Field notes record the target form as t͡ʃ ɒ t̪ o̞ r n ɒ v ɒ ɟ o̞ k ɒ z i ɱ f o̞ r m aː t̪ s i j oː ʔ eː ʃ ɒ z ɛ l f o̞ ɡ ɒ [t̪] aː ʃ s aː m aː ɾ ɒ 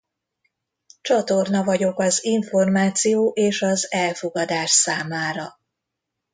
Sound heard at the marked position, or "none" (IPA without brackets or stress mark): d̪